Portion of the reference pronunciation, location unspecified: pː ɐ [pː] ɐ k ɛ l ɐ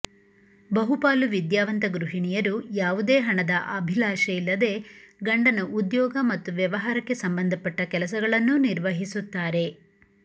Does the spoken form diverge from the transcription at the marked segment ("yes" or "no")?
yes